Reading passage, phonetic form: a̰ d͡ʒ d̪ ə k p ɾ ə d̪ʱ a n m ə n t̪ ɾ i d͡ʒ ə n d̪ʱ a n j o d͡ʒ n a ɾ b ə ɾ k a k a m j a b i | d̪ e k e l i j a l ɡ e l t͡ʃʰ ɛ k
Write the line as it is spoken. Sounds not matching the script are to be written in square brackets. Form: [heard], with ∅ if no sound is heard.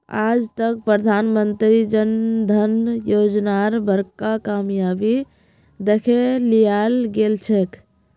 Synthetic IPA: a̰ d͡ʒ [t̪] ə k p ɾ ə d̪ʱ a n m ə n t̪ ɾ i d͡ʒ ə n d̪ʱ [ə] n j o d͡ʒ n a ɾ b ə ɾ k a k a m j a b i | d̪ e [kʰ] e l i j a l ɡ e l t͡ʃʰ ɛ k